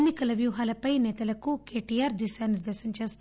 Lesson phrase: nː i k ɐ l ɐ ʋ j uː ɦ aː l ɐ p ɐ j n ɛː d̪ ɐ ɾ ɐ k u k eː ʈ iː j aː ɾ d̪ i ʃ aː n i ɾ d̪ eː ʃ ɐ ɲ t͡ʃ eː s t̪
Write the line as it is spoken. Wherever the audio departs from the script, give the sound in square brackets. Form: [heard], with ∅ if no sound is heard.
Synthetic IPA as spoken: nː i k ɐ l ɐ ʋ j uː ɦ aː l ɐ p ɐ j n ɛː [t̪] ɐ [l] ɐ k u k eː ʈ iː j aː ɾ d̪ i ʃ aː n i ɾ d̪ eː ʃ ɐ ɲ t͡ʃ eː s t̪